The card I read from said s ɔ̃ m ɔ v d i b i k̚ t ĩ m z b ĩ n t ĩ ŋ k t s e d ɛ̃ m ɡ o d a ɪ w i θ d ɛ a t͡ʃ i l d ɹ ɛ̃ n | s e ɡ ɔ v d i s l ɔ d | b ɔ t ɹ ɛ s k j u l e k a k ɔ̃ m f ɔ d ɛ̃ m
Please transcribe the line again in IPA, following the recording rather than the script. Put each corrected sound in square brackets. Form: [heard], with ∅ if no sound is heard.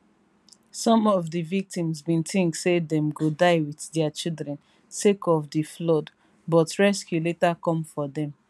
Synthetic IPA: s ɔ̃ m ɔ v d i [v] i k̚ t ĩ m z b ĩ n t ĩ ŋ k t s e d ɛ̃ m ɡ o d a ɪ w i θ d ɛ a t͡ʃ i l d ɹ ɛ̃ n | s e [k] ɔ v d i [f] l ɔ d | b ɔ t ɹ ɛ s k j u l e [t] a k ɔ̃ m f ɔ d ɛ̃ m